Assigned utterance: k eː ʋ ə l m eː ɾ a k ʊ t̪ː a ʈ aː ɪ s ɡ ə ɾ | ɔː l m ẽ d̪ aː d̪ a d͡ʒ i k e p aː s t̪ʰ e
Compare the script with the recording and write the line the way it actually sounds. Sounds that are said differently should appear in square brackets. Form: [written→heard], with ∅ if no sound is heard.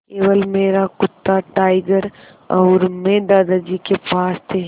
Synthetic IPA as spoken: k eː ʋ ə l m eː ɾ a k ʊ t̪ː a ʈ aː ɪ [s→∅] ɡ ə ɾ | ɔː [l→ɾ] m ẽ d̪ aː d̪ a d͡ʒ i k e p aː s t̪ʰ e